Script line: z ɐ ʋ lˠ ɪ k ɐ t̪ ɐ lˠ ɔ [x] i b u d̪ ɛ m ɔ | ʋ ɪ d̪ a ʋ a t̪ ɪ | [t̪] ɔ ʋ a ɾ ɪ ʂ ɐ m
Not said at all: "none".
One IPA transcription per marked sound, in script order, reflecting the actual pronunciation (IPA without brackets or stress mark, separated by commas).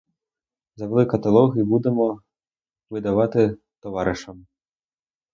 ɣ, t̪